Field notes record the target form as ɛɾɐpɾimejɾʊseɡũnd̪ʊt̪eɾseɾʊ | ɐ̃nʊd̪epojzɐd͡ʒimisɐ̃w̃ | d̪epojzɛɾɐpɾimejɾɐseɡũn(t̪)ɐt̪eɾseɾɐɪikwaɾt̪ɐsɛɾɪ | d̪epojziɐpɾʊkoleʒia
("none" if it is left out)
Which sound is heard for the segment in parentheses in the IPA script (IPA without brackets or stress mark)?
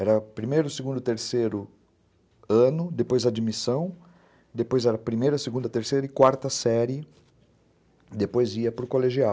d̪